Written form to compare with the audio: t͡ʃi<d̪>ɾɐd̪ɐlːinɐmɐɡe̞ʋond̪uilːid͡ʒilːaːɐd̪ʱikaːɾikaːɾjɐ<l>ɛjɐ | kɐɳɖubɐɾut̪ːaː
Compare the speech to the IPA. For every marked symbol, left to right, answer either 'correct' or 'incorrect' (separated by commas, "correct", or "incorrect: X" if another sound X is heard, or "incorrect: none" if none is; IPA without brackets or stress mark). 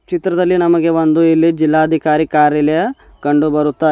incorrect: t̪, correct